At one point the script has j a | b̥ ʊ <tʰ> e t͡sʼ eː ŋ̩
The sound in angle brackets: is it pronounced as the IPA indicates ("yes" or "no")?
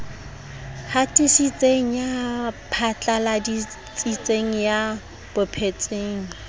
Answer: no